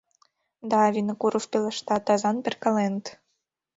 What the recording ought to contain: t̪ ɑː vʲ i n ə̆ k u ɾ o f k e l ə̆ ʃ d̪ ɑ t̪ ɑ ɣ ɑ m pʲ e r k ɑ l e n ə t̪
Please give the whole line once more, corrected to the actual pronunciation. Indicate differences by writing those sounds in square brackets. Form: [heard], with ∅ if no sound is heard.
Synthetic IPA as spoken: [d̪] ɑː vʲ i n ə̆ k u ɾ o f [p] e l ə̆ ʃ [t̪] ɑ t̪ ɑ [z] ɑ [n] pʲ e r k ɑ l e n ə t̪